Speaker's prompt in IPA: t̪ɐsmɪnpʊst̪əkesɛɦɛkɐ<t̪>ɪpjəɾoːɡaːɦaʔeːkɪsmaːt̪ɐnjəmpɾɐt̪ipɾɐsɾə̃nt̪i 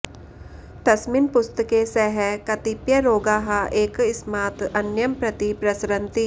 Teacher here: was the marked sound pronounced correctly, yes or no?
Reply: yes